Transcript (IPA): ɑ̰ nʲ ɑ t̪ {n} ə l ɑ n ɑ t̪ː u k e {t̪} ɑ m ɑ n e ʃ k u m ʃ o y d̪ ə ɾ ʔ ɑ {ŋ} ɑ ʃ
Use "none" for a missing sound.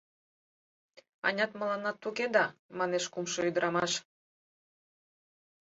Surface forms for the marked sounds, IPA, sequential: m, d̪, m

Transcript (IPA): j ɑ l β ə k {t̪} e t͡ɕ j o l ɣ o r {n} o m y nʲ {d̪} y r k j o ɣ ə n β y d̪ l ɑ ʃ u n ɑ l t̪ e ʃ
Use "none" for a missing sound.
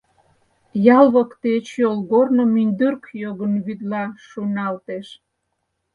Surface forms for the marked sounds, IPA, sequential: t̪, n, d̪

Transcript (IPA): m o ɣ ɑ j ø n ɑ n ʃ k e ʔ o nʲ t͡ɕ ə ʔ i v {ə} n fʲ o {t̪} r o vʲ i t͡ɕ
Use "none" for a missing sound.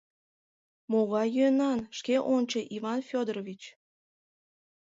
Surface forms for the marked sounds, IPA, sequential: ɑ, d̪

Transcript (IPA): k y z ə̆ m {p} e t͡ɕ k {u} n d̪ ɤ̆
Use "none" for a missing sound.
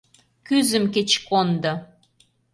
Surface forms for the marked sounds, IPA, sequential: k, o

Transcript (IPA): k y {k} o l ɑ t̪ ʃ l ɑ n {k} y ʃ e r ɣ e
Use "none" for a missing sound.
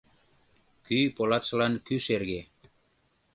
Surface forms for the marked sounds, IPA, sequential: p, k

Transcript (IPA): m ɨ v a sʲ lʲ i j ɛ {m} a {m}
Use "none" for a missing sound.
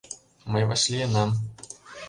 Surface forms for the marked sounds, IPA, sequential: n, m

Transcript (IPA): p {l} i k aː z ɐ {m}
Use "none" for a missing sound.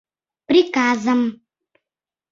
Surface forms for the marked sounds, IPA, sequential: ɾ, m

